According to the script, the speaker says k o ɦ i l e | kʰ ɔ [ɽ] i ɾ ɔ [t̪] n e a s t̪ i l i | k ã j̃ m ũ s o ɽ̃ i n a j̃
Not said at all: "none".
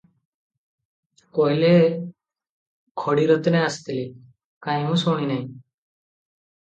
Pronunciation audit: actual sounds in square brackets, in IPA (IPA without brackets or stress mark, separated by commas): ɽ, t̪